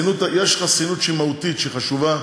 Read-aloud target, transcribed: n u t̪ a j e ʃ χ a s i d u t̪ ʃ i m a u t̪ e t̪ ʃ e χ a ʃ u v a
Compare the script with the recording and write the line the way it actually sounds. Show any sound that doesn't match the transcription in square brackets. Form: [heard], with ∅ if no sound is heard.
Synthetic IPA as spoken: n u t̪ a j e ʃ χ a s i [n] u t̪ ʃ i m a u t̪ [i] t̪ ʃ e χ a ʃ u v a